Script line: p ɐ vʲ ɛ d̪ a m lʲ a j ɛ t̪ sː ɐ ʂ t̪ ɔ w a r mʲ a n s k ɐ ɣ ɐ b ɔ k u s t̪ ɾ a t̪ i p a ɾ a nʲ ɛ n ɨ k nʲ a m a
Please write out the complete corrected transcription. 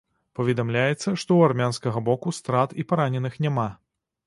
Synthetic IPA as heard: p ɐ vʲ ɛ d̪ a m lʲ a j ɛ t̪ sː ɐ ʂ t̪ ɔ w a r mʲ a n s k ɐ ɣ ɐ b ɔ k u s t̪ ɾ a t̪ i p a ɾ a nʲ ɛ n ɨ x nʲ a m a